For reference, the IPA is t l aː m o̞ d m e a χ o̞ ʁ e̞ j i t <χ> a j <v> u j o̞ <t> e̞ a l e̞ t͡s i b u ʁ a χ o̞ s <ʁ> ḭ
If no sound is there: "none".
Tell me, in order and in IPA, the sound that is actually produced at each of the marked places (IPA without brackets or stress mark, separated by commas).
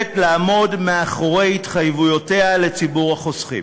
χ, v, t, χ